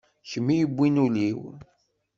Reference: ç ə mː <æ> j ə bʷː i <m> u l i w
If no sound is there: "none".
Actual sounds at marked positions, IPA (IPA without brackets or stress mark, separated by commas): i, n